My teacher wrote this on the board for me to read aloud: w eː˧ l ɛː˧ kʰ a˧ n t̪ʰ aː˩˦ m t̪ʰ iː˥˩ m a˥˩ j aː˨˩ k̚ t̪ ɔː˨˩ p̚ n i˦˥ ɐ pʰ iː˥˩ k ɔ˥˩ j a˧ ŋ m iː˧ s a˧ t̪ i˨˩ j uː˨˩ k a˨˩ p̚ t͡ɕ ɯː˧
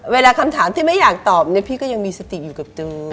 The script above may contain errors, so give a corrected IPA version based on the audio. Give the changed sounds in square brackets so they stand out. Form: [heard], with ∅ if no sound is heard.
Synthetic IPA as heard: w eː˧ l [aː˧] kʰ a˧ [m] t̪ʰ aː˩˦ m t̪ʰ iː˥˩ m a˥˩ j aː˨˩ k̚ t̪ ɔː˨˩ p̚ n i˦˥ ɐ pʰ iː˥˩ k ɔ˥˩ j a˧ ŋ m iː˧ s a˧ t̪ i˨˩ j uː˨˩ k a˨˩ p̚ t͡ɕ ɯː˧